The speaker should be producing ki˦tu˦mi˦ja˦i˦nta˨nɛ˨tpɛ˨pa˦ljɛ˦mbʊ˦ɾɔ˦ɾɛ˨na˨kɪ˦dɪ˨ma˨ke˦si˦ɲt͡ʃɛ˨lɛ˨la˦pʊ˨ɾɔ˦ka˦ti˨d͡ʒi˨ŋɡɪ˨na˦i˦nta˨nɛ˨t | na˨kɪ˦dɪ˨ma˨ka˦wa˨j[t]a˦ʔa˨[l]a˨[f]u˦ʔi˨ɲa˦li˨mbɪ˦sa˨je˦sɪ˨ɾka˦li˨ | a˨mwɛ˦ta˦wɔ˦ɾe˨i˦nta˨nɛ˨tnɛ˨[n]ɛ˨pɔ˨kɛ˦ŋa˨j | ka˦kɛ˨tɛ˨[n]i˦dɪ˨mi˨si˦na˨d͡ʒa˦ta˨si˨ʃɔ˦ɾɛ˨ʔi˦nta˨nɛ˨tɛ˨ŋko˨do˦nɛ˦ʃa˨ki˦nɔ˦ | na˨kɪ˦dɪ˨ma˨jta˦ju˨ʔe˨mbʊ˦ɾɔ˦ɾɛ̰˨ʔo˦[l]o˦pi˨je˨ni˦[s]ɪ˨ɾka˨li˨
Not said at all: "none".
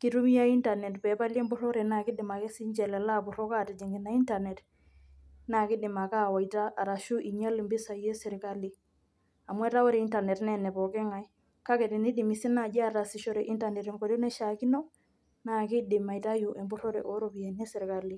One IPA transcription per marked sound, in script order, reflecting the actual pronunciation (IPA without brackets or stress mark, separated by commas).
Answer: t, ɾ, ʃ, n, n, ɾ, s